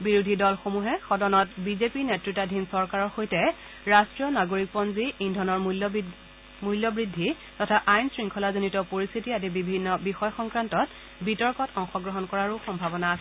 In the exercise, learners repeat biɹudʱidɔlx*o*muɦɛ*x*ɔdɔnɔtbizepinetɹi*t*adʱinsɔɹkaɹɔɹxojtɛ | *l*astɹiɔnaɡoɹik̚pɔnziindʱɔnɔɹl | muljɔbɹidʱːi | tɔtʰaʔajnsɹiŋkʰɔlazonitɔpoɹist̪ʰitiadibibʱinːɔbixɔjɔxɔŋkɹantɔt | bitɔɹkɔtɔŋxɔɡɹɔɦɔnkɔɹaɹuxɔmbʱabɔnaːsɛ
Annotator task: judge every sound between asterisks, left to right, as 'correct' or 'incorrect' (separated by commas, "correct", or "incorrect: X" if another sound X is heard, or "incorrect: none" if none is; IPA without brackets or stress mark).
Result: correct, correct, correct, incorrect: ɹ